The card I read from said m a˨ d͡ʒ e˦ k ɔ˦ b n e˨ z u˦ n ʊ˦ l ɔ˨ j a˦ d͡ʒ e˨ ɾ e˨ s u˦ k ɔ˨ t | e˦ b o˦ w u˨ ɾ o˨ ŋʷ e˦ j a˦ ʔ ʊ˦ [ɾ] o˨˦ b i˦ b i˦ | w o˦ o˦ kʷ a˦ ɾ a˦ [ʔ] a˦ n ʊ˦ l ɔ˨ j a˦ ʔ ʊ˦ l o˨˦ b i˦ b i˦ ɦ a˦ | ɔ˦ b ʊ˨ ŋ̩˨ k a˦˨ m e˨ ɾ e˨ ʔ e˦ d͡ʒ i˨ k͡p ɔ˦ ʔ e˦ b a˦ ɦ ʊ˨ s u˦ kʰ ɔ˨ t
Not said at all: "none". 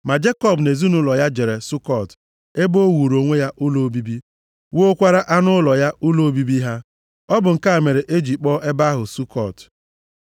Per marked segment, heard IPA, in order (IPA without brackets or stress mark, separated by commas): l, ʔ